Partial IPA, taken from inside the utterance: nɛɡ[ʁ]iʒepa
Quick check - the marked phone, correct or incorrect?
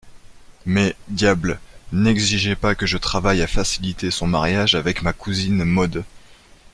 incorrect